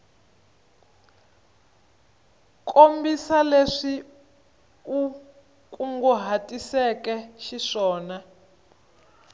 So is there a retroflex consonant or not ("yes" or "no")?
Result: yes